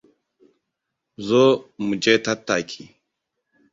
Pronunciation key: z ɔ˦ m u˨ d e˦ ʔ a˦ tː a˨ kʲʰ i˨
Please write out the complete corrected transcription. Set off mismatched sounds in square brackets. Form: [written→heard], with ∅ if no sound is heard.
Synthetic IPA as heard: z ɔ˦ m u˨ [d→d͡ʒ] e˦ [ʔ→t] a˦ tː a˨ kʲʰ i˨

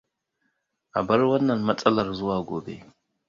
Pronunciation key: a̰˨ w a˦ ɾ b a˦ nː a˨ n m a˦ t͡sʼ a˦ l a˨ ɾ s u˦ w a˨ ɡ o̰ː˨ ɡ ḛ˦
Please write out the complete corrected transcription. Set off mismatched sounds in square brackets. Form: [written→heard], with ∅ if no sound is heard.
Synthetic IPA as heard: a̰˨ [w→b] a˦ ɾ [b→w] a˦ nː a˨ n m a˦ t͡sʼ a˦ l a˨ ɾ [s→z] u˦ w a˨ ɡ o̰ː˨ [ɡ→b] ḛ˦

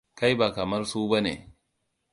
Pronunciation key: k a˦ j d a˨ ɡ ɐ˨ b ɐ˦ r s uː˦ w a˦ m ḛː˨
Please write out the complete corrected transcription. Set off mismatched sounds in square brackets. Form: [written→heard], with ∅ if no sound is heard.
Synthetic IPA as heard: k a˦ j [d→b] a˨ [ɡ→k] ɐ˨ [b→m] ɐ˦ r s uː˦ [w→b] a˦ [m→n] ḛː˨

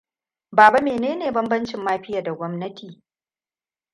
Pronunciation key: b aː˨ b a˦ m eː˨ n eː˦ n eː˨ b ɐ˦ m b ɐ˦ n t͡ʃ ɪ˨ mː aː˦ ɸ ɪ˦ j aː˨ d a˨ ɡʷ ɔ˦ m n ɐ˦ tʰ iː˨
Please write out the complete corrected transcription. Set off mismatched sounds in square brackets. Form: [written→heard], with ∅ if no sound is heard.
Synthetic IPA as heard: b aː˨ b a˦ m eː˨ n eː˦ n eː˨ b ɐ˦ m b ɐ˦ n t͡ʃ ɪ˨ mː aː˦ ɸ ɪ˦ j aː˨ d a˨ ɡʷ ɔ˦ m n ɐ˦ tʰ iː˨

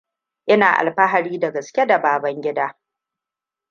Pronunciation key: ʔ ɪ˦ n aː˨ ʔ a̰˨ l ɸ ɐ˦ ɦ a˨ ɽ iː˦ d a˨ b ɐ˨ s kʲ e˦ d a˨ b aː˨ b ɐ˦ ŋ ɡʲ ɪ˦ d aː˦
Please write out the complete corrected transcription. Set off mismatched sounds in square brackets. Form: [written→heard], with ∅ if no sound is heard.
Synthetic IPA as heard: ʔ ɪ˦ n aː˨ ʔ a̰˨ l ɸ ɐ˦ ɦ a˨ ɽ iː˦ d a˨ [b→ɡ] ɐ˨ s kʲ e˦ d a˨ b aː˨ b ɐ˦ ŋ ɡʲ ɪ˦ d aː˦

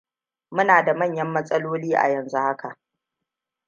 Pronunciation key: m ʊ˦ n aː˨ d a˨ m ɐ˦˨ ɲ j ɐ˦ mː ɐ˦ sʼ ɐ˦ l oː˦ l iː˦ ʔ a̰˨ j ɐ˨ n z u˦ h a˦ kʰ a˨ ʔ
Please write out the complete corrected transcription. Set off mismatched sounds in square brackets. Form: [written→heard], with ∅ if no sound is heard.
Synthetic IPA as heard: m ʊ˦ n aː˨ d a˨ m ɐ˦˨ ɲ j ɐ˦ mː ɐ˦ sʼ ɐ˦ l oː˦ l iː˦ ʔ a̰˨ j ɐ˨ n z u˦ h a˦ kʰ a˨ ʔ

